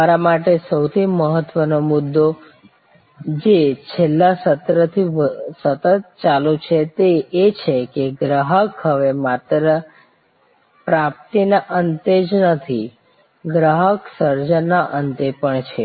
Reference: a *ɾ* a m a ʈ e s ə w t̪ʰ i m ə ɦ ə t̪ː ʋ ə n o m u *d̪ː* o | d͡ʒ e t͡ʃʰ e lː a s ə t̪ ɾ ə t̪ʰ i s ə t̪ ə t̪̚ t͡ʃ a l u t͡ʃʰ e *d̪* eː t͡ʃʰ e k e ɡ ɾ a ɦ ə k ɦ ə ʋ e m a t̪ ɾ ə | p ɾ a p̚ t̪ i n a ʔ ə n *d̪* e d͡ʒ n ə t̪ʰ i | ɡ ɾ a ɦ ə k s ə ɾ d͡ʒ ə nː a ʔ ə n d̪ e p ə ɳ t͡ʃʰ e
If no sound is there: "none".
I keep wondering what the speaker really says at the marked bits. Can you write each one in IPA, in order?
ɾ, d̪ː, t̪, t̪

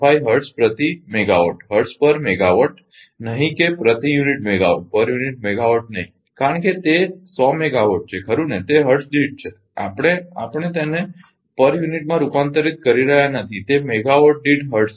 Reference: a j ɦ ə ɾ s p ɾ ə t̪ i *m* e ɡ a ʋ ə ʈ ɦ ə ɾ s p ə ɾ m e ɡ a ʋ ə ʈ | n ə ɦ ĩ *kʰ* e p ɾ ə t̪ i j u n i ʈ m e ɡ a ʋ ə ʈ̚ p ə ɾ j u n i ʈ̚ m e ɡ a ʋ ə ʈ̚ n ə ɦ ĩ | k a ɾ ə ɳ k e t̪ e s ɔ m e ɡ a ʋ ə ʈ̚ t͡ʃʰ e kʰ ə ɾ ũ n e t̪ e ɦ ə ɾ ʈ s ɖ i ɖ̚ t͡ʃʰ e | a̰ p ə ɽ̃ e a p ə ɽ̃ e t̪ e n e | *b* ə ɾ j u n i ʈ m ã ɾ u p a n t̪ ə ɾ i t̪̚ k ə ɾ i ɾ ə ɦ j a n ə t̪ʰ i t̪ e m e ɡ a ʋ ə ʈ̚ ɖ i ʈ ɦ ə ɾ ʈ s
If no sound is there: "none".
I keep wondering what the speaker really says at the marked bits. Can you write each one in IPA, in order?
m, k, p

